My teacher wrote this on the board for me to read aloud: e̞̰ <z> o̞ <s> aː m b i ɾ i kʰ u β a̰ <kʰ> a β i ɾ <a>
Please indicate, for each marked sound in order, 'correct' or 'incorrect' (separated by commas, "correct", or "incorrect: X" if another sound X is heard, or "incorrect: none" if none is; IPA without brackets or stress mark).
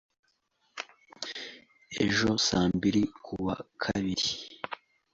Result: incorrect: ʒ, correct, correct, incorrect: i